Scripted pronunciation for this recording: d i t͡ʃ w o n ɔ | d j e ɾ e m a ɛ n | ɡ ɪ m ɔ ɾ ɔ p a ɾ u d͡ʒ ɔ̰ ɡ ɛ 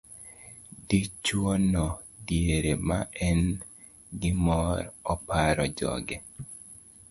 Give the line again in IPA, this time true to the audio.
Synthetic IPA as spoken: d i t͡ʃ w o n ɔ | d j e ɾ e m a ɛ n | ɡ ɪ m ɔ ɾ ɔ p a ɾ ɔ d͡ʒ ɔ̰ ɡ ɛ